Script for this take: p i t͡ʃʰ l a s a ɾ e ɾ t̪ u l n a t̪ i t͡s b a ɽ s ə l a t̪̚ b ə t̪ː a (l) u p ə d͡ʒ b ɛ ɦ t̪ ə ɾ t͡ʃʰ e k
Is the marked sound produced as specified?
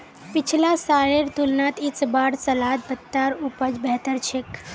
no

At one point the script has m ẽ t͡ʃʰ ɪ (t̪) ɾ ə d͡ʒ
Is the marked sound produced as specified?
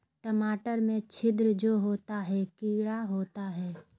no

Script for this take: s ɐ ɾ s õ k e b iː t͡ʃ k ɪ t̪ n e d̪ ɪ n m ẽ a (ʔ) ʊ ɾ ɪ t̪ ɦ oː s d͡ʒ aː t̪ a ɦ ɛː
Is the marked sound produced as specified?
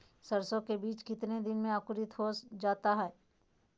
no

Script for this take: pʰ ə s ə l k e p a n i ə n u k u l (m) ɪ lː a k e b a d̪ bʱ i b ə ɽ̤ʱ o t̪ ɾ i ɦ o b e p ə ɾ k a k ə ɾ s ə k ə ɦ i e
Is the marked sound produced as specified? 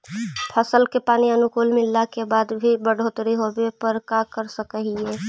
yes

